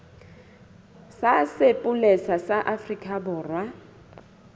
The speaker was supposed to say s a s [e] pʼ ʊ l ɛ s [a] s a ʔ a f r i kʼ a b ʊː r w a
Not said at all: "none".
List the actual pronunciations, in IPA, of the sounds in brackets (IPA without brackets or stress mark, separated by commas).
e, a